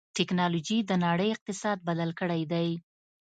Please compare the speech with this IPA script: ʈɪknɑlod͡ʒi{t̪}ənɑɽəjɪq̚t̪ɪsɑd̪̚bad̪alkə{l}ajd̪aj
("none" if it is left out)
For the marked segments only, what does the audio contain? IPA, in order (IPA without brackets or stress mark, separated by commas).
d̪, ɽ